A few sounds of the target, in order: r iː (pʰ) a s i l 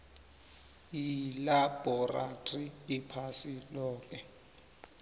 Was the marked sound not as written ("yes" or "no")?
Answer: no